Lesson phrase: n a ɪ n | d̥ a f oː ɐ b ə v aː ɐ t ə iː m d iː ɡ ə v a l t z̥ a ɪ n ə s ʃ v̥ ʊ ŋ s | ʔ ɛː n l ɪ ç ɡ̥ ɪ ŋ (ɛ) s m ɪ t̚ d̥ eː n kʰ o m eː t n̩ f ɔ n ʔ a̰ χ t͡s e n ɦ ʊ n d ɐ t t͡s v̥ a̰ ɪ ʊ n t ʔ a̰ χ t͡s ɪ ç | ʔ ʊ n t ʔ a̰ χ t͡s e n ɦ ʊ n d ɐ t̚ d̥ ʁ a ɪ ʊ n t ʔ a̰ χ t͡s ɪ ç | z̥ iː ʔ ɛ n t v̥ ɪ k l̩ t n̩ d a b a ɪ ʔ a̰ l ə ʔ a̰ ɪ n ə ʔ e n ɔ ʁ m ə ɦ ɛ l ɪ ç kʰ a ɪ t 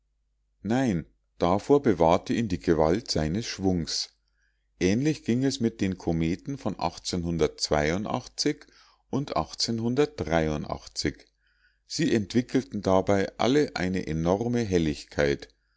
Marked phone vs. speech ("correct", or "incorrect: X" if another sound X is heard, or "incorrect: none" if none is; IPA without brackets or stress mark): correct